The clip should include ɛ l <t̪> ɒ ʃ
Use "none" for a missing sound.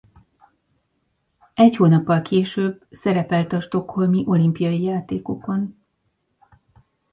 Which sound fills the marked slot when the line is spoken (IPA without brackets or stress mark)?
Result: t̪